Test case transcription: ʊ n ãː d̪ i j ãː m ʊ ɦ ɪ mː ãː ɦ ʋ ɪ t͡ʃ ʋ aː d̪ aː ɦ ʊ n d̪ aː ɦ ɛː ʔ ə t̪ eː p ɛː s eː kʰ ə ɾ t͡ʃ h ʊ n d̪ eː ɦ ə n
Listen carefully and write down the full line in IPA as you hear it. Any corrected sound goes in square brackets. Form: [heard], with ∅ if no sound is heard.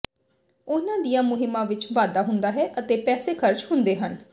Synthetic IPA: ʊ n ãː d̪ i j ãː m ʊ ɦ ɪ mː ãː [∅] ʋ ɪ t͡ʃ ʋ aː d̪ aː ɦ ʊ n d̪ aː ɦ ɛː ʔ ə t̪ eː p ɛː s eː kʰ ə ɾ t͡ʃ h ʊ n d̪ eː ɦ ə n